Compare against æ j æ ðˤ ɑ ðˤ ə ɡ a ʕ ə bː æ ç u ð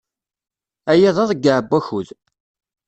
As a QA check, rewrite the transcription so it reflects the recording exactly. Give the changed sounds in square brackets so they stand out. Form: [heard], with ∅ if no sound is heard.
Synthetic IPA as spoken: æ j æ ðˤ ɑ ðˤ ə ɡ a ʕ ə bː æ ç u ð